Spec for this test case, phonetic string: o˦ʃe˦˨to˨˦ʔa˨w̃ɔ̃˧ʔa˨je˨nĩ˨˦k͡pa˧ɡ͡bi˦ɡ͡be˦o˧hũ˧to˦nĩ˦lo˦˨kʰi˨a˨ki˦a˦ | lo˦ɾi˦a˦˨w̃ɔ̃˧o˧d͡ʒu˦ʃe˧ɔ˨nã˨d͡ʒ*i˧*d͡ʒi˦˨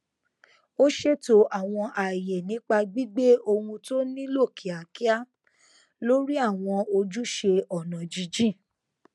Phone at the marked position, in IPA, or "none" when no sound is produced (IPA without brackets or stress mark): i˧